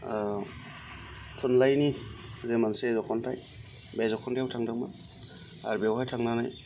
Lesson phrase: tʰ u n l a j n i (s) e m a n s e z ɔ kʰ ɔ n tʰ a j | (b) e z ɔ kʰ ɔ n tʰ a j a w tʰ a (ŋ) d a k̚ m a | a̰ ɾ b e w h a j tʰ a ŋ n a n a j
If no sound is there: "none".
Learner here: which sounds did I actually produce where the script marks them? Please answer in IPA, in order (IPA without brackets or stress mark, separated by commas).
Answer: z, b, ŋ